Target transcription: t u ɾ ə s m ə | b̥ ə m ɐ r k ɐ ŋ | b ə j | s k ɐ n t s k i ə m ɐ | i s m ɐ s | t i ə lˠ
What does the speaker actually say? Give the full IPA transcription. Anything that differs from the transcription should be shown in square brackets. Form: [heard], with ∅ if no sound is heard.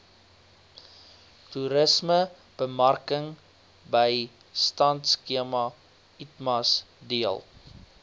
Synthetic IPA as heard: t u ɾ ə s m ə | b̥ ə m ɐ r k [ə] ŋ | b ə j | s [t] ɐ n t s k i ə m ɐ | i [t] m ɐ s | [d] i ə lˠ